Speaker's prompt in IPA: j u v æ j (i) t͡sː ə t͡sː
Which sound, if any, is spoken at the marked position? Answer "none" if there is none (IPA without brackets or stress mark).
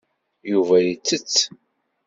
i